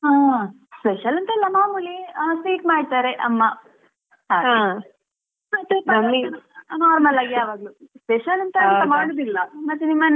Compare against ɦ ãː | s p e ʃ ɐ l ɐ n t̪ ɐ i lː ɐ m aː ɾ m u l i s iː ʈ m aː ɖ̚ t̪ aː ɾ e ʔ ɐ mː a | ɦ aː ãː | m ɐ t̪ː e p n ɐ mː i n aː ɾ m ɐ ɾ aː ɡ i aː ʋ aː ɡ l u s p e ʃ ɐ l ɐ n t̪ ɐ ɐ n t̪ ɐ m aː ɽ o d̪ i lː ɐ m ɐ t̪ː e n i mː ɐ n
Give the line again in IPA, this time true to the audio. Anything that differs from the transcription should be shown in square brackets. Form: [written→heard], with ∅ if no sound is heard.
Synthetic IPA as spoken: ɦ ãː | s p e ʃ ɐ l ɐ n t̪ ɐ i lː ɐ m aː [ɾ→∅] m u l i s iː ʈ m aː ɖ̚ t̪ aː ɾ e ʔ ɐ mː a | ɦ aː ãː | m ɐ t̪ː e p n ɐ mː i n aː ɾ m ɐ [ɾ→l] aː ɡ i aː ʋ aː ɡ l u s p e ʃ ɐ l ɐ n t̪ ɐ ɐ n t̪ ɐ m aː ɽ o d̪ i lː ɐ m ɐ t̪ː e n i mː ɐ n

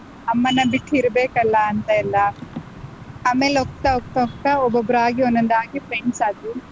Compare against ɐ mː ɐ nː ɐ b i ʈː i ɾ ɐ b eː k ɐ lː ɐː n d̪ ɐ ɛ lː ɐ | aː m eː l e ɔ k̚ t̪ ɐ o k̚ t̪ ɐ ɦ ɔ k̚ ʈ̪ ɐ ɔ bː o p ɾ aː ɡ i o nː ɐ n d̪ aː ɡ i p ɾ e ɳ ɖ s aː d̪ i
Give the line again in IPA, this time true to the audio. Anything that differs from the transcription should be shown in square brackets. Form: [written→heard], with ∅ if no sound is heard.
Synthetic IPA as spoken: ɐ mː ɐ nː ɐ b i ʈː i ɾ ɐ b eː k ɐ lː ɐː n [d̪→t̪] ɐ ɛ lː ɐ | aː m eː l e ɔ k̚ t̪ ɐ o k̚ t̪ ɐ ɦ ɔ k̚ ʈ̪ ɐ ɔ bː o [p→b] ɾ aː ɡ i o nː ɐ n d̪ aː ɡ i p ɾ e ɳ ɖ s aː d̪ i

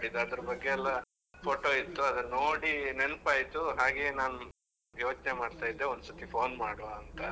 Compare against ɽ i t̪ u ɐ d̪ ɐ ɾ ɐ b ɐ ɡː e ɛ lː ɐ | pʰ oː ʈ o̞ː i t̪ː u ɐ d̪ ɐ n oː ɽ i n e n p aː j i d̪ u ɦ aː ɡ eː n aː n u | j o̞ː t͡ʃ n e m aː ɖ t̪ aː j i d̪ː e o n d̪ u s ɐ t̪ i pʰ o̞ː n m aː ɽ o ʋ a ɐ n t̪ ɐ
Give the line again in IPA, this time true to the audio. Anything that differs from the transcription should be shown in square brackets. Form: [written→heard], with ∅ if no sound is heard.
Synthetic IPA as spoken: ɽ i [t̪→d̪] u ɐ d̪ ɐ ɾ ɐ b ɐ ɡː e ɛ lː ɐ | pʰ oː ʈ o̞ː i t̪ː u ɐ d̪ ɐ n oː ɽ i n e n p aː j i [d̪→t̪] u ɦ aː ɡ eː n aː n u | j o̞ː t͡ʃ n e m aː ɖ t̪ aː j i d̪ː e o n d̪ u s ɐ t̪ i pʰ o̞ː n m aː ɽ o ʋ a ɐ n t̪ ɐ

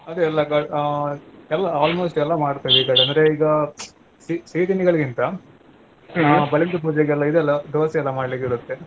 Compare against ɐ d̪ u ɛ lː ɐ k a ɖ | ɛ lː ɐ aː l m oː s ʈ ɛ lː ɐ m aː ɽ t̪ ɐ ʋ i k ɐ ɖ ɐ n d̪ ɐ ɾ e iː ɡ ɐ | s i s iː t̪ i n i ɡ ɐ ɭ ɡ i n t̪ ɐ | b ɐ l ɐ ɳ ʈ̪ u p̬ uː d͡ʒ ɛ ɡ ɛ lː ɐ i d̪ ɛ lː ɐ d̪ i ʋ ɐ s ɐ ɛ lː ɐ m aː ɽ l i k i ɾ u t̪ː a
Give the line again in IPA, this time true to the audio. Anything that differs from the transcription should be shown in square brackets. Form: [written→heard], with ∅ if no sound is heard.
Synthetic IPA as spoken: ɐ d̪ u ɛ lː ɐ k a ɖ | ɛ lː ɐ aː l m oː s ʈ ɛ lː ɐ m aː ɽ t̪ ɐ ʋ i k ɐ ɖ ɐ n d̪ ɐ ɾ e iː ɡ ɐ | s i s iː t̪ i n i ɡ ɐ ɭ ɡ i n t̪ ɐ | b ɐ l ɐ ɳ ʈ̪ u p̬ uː d͡ʒ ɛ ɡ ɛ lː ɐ i d̪ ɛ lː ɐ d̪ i ʋ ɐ s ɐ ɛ lː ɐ m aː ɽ l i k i ɾ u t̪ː [a→e]

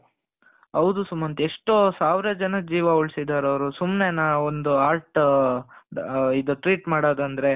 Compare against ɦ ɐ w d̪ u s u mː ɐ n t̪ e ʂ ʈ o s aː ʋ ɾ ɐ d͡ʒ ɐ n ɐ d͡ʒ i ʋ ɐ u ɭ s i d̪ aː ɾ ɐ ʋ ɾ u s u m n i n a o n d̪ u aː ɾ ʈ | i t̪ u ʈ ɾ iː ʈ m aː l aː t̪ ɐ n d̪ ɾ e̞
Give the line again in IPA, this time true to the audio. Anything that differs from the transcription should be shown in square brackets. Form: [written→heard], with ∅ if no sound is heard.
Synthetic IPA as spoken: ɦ ɐ w d̪ u s u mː ɐ n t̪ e ʂ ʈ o s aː ʋ ɾ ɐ d͡ʒ ɐ n ɐ d͡ʒ [i→iː] ʋ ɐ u ɭ s i d̪ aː ɾ ɐ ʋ ɾ u s u m n [i→e] n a o n d̪ u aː ɾ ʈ | i [t̪→d̪] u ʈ ɾ iː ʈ m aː [l→ɽ] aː [t̪→d̪] ɐ n d̪ ɾ e̞

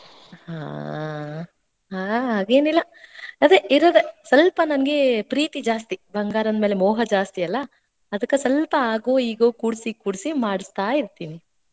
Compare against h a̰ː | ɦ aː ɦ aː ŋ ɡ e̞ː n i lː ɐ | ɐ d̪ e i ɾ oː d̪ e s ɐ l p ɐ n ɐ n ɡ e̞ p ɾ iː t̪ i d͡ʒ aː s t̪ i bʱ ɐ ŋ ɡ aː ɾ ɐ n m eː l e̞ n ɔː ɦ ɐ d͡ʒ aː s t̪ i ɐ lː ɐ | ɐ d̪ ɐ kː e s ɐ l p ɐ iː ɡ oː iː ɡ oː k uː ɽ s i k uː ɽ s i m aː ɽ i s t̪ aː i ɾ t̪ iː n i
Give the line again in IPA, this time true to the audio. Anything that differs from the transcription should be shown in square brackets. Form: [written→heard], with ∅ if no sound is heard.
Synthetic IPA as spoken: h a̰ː | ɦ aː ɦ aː [ŋ→∅] ɡ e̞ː n i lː ɐ | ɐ d̪ e i ɾ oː d̪ e s ɐ l p ɐ n ɐ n ɡ e̞ p ɾ iː t̪ i d͡ʒ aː s t̪ i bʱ ɐ ŋ ɡ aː ɾ ɐ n m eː l e̞ [n→m] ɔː ɦ ɐ d͡ʒ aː s t̪ i ɐ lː ɐ | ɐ d̪ ɐ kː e s ɐ l p ɐ [iː→aː] ɡ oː iː ɡ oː k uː ɽ s i k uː ɽ s i m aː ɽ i s t̪ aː i ɾ t̪ iː n i

